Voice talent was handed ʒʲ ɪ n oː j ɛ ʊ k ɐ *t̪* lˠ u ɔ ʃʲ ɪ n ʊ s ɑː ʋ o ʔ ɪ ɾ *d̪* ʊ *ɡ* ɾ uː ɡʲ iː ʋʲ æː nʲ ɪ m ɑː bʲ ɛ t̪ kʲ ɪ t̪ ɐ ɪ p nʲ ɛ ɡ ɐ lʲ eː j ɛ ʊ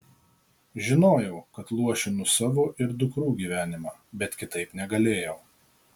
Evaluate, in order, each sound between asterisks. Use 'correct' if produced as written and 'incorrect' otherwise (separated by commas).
correct, correct, incorrect